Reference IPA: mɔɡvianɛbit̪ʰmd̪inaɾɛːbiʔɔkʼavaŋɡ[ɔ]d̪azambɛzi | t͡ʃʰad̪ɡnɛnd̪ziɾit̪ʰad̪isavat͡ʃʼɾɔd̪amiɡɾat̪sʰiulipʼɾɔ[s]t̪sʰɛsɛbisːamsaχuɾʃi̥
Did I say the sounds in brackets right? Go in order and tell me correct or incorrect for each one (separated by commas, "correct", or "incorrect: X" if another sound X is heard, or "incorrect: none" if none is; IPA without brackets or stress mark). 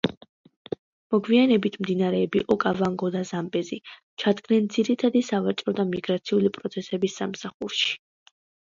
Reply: correct, incorrect: none